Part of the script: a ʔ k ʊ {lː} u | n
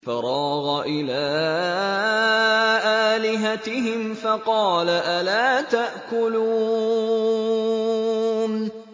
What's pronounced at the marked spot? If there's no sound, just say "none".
l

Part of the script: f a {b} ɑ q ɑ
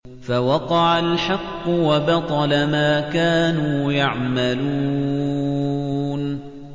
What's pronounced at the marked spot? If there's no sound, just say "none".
w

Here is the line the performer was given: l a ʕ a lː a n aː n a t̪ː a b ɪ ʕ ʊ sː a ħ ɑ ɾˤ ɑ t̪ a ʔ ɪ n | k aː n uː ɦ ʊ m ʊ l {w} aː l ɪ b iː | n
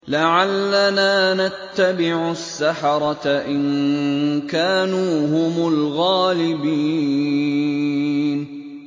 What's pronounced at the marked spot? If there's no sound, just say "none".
ɣ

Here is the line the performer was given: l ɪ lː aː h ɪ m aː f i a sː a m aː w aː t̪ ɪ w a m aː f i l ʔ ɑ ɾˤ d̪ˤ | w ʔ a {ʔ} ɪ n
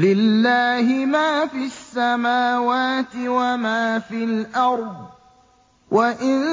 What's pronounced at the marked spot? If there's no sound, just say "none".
ʔ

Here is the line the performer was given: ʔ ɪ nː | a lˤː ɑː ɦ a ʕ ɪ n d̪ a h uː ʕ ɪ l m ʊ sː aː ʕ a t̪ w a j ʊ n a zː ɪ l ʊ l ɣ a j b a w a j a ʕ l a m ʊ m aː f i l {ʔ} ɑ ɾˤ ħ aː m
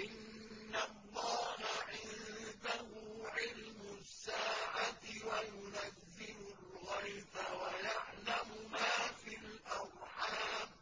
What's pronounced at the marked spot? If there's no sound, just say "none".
ʔ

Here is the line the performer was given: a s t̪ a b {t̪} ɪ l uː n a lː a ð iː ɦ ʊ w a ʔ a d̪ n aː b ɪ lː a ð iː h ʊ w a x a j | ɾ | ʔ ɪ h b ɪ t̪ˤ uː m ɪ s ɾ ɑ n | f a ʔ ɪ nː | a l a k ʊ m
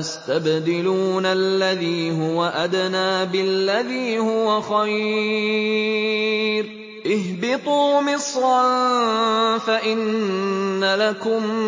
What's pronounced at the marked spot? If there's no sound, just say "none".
d̪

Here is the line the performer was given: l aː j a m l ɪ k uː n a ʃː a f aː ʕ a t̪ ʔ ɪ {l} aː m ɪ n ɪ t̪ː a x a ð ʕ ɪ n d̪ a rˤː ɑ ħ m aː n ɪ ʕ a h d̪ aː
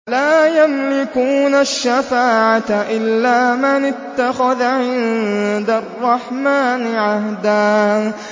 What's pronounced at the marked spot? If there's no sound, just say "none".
lː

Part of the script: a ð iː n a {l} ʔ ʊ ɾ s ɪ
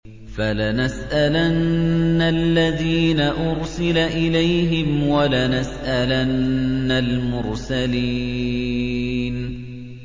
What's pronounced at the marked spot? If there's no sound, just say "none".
none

